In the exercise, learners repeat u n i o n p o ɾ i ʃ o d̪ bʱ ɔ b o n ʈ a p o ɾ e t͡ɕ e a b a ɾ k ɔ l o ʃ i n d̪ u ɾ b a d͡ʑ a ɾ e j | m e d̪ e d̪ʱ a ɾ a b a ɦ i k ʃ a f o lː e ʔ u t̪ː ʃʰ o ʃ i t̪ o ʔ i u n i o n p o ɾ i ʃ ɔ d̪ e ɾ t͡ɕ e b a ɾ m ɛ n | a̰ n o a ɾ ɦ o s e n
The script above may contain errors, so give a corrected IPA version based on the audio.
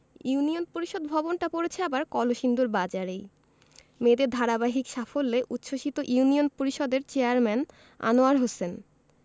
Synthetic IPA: u n i o n p o ɾ i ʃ o d̪ bʱ ɔ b o n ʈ a p o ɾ e t͡ɕʰ e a b a ɾ k ɔ l o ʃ i n d̪ u ɾ b a d͡ʑ a ɾ e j | m e d̪ e d̪ʱ a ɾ a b a ɦ i k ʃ a f o lː e ʔ u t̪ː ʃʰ o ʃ i t̪ o ʔ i u n i o n p o ɾ i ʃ ɔ d̪ e ɾ t͡ɕ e a ɾ m ɛ n | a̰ n o a ɾ ɦ o s e n